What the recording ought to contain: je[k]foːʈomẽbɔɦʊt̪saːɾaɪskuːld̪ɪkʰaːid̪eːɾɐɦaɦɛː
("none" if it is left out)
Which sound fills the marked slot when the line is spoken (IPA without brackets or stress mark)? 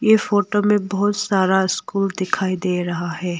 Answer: none